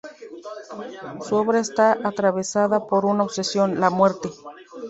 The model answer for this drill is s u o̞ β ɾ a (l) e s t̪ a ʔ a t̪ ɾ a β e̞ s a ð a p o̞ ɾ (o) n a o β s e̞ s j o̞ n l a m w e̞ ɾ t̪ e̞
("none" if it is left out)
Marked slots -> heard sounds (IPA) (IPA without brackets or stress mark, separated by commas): none, u